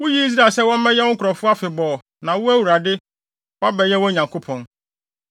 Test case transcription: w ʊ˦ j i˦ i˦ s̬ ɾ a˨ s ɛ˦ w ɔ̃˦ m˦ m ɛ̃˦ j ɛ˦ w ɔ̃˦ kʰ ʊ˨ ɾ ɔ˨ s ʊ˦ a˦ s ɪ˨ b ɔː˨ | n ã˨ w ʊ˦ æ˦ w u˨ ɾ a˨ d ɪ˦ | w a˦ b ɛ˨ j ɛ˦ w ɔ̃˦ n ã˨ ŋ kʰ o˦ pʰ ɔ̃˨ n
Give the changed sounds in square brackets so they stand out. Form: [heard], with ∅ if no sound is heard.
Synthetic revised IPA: w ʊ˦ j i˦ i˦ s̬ ɾ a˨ s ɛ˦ w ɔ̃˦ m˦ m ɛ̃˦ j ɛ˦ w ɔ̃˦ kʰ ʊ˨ ɾ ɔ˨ [f] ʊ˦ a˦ [f] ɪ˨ b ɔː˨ | n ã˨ w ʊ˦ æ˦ w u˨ ɾ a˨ d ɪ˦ | w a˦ b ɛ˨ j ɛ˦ w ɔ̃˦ [ɲ] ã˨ ŋ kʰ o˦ pʰ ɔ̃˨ n